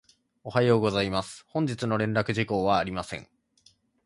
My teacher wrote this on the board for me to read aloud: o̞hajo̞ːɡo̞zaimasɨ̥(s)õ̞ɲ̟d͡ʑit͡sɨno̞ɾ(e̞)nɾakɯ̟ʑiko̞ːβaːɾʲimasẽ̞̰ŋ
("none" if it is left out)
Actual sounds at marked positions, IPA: h, ẽ̞

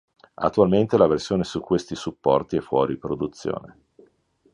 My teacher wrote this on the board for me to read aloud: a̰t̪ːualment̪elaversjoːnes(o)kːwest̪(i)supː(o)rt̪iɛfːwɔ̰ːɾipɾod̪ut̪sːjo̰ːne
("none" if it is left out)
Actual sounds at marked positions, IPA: u, i, ɔ

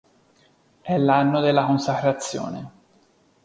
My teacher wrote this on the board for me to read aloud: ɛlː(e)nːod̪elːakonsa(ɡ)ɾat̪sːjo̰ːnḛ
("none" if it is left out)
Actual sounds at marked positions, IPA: a, k

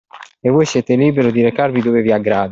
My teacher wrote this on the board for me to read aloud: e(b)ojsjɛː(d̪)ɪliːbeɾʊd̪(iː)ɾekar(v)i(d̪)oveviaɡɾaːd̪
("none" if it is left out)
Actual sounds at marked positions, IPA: v, t̪, i, v, d̪

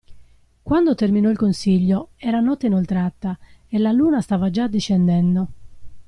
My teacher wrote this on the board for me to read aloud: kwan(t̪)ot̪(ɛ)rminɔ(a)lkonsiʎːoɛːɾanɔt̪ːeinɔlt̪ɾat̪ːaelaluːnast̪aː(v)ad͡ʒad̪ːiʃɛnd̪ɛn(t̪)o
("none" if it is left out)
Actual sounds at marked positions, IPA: d̪, e, i, v, d̪

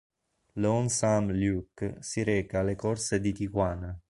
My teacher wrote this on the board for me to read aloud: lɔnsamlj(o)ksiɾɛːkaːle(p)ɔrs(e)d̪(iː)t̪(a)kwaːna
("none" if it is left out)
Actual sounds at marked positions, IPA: u, k, e, i, i

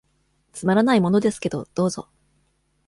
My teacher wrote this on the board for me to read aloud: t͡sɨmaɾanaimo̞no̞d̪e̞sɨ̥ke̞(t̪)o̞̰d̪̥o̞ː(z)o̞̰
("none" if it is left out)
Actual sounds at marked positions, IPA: d̪, z

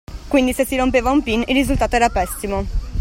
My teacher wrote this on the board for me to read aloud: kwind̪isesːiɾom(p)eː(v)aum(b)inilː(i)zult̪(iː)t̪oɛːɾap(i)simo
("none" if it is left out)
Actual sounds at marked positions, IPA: p, v, p, i, aː, ɛ

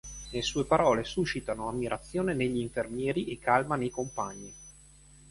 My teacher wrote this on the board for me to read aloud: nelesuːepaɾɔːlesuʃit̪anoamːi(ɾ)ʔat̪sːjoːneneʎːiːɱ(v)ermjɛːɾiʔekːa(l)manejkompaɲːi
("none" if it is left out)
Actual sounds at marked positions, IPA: ɾ, f, l

